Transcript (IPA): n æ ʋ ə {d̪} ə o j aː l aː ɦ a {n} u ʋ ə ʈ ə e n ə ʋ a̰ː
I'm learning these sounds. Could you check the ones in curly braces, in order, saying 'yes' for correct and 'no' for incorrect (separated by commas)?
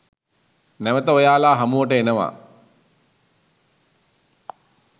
no, no